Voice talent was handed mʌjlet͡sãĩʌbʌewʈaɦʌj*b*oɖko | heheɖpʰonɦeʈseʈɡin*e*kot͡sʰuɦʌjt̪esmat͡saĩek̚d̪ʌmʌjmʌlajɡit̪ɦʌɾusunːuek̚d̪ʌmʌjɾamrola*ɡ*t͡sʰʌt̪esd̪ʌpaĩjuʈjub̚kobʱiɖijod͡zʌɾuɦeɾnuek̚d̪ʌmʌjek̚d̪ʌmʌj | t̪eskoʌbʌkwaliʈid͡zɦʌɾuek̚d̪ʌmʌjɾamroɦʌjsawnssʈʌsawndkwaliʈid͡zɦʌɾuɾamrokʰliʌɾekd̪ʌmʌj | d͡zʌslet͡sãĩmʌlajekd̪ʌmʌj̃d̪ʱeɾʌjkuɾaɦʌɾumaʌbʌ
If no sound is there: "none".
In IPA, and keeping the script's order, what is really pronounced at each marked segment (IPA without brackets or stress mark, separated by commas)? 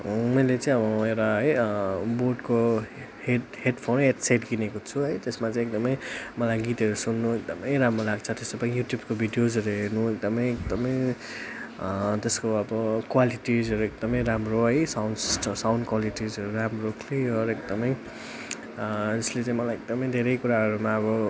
b, e, ɡ